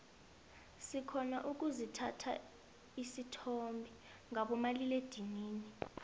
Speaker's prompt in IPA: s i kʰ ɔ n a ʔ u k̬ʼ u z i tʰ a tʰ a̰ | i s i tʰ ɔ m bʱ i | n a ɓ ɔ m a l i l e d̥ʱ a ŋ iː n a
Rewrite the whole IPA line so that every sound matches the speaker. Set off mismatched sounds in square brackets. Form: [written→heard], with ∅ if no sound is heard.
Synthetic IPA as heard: s i kʰ ɔ n a ʔ u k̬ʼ u z i tʰ a tʰ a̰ | i s i tʰ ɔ m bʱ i | [n→ŋ] a ɓ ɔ m a l i l e d̥ʱ [a→i] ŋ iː n [a→i]